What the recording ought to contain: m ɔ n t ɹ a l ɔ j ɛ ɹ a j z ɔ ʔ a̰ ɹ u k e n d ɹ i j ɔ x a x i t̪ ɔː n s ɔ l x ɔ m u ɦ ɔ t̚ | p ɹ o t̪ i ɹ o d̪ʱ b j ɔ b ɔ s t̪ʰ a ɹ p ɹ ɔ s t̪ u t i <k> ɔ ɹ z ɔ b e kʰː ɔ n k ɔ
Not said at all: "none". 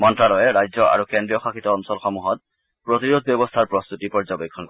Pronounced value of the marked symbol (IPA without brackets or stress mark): p